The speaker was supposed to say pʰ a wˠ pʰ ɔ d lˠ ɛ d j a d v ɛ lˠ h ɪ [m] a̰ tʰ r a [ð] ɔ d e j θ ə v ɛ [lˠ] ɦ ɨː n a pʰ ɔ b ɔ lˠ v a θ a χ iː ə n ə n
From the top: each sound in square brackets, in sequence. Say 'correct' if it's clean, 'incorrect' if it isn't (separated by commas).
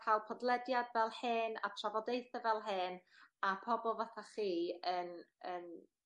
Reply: incorrect, incorrect, correct